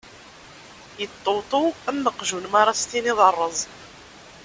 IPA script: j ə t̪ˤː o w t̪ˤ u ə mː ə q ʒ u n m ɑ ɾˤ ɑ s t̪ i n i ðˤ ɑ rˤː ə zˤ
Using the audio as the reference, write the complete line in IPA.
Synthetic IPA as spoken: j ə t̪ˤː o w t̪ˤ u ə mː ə q ʒ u n m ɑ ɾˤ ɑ s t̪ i n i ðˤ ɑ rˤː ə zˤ